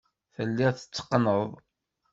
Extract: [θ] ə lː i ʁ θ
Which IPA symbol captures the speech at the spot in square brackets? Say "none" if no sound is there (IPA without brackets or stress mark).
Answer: θ